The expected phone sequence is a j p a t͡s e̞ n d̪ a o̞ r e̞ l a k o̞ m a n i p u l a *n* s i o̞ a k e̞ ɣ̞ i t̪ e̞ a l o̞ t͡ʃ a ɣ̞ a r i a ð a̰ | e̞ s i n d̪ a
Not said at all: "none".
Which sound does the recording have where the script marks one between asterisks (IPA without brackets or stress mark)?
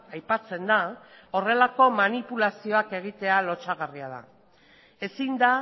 none